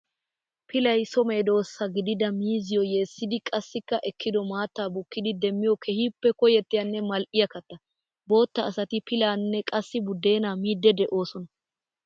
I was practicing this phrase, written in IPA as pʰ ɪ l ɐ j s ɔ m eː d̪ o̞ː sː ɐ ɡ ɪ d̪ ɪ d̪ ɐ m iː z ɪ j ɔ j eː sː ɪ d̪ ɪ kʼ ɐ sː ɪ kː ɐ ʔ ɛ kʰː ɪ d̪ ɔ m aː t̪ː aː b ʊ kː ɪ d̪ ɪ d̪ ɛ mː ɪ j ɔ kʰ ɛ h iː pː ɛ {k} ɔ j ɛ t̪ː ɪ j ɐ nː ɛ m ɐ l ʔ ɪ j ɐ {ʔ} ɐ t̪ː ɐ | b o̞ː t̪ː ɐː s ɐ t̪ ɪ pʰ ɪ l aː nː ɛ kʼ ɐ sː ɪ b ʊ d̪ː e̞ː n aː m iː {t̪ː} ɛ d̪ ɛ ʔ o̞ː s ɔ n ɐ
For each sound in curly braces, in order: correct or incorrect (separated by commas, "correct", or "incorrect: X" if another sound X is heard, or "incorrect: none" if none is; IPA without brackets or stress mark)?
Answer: correct, incorrect: k, incorrect: d̪ː